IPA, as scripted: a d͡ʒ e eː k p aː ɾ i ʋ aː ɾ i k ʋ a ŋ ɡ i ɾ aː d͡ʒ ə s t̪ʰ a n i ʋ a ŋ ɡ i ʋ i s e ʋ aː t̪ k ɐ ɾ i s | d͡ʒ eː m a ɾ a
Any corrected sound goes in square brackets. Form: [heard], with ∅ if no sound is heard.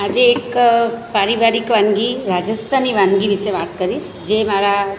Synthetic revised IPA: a d͡ʒ e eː k p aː ɾ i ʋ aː ɾ i k ʋ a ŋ ɡ i ɾ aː d͡ʒ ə s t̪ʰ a n i ʋ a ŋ ɡ i ʋ i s e ʋ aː t̪ k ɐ ɾ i s | d͡ʒ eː m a ɾ a